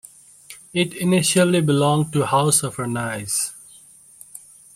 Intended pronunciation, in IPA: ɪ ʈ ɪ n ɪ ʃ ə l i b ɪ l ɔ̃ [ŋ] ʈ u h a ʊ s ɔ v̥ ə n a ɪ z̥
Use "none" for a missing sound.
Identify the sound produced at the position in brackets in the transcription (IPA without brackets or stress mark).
ŋ